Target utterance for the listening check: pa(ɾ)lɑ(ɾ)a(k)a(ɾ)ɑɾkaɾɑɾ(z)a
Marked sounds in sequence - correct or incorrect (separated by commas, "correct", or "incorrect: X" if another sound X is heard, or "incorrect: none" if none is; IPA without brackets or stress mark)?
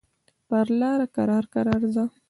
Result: correct, correct, correct, correct, correct